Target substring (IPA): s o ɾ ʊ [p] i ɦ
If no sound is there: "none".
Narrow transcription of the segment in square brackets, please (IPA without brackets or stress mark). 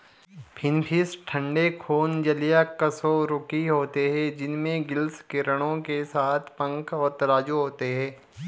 k